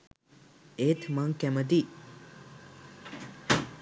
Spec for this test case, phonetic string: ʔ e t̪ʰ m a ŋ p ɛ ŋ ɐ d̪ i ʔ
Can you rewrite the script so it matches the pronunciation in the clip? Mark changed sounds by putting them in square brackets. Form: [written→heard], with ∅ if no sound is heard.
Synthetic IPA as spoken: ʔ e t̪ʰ m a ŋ [p→k] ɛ [ŋ→m] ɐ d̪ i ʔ